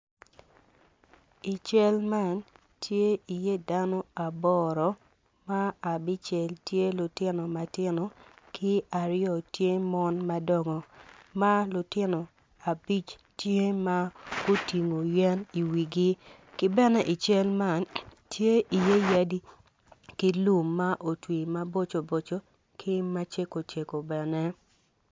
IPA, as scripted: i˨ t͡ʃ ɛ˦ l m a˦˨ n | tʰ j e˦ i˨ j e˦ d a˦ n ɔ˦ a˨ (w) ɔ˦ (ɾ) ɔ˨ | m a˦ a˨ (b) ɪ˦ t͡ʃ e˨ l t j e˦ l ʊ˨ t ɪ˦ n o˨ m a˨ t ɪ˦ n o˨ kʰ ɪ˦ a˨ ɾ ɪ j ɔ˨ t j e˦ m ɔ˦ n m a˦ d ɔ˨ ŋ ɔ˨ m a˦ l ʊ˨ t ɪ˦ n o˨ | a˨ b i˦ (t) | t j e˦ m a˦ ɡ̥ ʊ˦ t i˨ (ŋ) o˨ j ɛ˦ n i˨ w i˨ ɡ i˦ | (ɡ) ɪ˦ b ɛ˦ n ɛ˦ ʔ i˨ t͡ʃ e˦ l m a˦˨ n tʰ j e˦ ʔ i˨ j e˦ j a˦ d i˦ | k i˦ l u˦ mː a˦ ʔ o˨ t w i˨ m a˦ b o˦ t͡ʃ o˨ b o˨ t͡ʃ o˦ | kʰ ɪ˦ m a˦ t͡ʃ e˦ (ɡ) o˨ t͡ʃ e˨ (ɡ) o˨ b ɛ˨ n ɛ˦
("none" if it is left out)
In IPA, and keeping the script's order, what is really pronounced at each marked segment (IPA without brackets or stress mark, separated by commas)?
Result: b, ɾ, b, t͡ʃ, ŋ, k, k, k